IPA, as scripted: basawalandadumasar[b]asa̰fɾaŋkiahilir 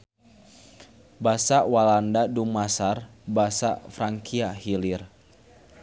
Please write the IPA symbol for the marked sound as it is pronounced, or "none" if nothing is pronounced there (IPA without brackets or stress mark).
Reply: b